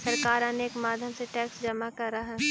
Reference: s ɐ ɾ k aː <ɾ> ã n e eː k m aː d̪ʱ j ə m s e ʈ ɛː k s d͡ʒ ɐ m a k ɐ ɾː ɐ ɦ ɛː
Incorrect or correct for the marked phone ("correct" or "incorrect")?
correct